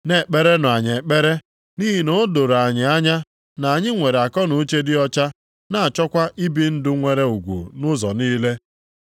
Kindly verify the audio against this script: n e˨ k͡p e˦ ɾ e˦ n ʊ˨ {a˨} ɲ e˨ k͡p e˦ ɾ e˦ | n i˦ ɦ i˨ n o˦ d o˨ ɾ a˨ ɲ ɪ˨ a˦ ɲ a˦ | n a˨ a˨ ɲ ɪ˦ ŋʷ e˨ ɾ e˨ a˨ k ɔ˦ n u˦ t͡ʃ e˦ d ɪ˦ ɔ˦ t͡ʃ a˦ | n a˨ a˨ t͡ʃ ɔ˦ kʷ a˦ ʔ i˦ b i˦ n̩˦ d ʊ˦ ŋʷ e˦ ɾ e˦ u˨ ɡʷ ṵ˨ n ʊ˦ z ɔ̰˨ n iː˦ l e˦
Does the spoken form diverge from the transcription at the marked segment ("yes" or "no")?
no